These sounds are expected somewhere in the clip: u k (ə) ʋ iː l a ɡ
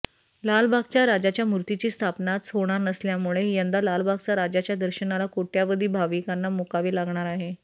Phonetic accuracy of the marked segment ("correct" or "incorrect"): incorrect